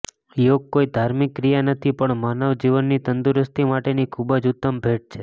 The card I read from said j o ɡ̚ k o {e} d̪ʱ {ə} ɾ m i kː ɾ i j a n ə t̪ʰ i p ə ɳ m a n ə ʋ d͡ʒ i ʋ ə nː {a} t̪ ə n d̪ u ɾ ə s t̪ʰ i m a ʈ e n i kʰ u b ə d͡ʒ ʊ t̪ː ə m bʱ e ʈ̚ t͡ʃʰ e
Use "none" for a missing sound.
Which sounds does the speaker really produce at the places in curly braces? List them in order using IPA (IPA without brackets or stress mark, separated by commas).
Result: i, a, i